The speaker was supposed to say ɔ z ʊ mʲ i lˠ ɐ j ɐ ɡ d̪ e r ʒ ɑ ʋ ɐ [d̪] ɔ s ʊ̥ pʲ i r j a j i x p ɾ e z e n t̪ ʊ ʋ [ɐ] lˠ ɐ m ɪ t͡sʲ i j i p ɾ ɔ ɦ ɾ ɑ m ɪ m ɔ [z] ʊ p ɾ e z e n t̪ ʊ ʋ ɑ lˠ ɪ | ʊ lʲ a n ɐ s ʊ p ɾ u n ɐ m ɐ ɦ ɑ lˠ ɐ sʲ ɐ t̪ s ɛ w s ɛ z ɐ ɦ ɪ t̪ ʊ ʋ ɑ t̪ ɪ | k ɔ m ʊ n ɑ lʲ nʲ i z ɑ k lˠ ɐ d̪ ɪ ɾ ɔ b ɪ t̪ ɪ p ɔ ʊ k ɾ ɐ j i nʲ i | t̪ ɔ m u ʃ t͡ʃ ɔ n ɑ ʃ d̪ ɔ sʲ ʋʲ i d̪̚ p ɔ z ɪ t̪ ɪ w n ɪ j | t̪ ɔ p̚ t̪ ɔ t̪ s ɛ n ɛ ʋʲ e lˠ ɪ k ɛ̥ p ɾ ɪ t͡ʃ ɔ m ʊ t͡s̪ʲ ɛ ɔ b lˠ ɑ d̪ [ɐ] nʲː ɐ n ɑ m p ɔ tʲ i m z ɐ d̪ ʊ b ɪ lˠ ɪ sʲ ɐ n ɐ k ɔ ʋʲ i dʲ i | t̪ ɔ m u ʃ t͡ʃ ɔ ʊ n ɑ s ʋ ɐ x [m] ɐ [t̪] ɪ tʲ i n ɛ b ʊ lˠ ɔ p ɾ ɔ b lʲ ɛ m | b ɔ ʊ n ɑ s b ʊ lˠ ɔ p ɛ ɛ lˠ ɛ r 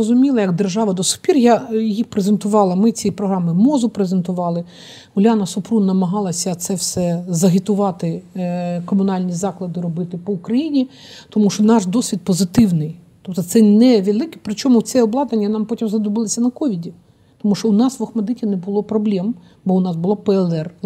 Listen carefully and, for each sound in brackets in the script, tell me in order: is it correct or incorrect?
correct, incorrect: ɑ, correct, correct, correct, incorrect: d̪

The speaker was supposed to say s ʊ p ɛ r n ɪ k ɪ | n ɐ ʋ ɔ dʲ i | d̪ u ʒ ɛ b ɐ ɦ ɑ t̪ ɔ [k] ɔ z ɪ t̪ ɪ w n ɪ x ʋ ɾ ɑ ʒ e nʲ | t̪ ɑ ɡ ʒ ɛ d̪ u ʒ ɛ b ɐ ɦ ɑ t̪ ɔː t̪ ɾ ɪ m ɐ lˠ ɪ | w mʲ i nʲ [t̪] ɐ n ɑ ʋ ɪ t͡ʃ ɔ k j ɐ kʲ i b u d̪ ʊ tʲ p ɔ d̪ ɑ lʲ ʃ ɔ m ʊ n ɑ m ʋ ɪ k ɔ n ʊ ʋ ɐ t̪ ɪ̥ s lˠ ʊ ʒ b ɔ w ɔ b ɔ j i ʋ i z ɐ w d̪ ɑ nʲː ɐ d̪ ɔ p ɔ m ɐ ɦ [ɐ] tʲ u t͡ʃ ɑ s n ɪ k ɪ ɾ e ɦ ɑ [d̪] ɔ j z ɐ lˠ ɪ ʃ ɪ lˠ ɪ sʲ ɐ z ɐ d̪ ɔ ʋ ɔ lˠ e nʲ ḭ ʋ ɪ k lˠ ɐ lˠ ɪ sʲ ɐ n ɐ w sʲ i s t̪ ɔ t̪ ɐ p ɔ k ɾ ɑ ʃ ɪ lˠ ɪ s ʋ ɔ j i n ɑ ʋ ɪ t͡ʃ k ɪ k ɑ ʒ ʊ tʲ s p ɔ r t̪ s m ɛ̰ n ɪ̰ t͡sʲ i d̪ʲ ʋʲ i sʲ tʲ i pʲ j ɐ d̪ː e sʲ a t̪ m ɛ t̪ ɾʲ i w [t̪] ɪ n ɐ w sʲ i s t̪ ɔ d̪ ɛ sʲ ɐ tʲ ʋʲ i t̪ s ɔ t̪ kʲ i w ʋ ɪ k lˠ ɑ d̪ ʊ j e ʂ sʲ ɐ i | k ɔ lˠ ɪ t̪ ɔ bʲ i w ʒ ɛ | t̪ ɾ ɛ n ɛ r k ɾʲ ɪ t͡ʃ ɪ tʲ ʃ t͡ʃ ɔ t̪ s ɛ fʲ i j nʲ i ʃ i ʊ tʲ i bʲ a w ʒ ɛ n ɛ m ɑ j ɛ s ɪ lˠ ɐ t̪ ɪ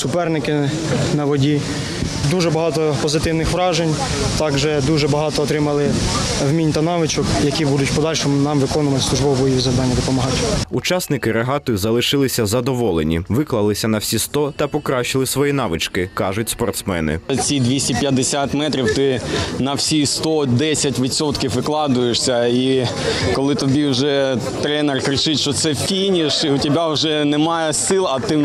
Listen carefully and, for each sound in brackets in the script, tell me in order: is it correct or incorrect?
incorrect: p, correct, incorrect: ɑ, incorrect: t̪, correct

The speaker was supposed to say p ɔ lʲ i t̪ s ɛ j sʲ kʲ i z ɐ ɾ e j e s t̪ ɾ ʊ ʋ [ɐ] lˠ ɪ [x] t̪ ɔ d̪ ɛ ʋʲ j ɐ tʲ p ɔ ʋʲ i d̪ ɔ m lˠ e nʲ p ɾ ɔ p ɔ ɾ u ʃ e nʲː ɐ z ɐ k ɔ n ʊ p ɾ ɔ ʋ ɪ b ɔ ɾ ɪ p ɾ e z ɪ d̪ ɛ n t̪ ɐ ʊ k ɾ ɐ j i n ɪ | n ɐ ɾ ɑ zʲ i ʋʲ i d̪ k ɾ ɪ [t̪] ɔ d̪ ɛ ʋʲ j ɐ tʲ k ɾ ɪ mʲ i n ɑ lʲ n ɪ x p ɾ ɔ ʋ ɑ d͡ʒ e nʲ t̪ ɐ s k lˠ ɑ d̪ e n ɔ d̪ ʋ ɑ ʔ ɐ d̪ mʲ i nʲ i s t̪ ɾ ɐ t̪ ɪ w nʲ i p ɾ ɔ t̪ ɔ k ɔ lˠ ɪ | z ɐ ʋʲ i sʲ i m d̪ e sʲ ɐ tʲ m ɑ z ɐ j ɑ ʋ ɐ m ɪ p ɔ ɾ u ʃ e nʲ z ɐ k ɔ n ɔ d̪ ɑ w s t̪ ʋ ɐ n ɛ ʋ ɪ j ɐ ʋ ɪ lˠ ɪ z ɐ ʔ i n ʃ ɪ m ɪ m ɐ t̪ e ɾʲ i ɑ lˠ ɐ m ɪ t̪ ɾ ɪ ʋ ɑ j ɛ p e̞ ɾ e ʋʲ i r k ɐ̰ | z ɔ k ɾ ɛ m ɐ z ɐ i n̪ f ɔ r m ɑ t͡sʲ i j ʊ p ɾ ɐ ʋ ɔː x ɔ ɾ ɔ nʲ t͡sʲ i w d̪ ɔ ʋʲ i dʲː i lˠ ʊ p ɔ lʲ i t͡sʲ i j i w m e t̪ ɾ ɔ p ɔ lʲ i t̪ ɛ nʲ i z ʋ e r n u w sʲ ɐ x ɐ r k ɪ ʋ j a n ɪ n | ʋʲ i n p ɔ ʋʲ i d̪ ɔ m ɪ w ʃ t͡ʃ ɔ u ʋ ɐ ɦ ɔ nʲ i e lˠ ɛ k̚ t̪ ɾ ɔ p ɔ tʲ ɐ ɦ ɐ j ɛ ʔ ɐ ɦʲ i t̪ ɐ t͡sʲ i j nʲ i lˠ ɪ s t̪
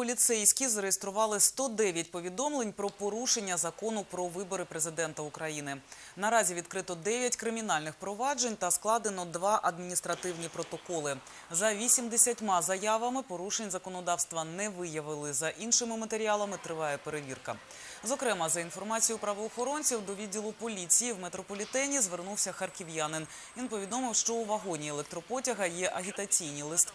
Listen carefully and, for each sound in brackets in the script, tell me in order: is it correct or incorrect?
incorrect: ɑ, incorrect: s, correct

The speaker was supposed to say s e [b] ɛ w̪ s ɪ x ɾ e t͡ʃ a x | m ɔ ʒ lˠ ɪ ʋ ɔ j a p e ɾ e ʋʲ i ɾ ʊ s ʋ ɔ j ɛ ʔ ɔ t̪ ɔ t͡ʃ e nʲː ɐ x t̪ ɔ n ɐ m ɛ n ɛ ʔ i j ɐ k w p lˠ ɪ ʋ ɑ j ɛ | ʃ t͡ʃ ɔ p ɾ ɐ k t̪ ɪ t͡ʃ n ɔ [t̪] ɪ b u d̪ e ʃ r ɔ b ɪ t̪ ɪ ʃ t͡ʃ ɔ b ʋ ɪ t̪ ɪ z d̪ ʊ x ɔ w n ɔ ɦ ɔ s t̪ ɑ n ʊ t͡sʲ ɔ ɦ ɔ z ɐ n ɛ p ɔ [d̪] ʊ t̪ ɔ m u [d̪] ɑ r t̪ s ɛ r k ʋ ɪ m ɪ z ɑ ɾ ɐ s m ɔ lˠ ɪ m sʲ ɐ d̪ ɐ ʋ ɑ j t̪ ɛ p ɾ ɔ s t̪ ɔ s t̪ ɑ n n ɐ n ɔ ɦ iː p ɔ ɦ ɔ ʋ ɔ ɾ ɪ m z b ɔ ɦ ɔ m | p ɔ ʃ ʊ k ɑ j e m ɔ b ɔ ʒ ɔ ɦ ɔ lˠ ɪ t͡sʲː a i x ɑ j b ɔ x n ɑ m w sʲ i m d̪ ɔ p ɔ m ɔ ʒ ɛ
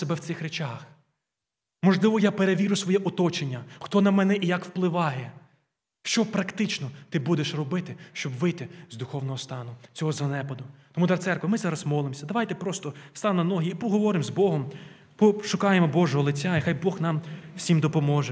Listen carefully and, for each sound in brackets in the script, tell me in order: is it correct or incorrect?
correct, correct, correct, correct

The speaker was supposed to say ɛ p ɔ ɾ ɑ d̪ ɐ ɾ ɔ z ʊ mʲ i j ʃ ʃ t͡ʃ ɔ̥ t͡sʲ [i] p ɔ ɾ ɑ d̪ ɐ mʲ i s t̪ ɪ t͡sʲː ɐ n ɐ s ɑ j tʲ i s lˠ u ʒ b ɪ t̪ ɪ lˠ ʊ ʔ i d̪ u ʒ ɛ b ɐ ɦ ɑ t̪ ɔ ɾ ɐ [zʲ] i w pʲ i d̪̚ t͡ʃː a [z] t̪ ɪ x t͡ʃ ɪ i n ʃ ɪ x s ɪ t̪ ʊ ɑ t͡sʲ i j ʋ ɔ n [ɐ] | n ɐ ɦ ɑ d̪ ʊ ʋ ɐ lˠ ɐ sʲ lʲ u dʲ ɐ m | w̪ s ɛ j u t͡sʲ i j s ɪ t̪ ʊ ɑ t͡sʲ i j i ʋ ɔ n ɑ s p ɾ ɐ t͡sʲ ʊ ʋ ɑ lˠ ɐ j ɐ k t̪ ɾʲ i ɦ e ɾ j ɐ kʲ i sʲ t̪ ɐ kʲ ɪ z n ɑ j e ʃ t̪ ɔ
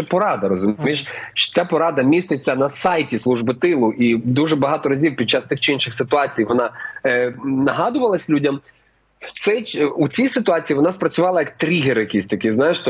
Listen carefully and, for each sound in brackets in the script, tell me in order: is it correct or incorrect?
incorrect: a, correct, incorrect: s, incorrect: ɑ

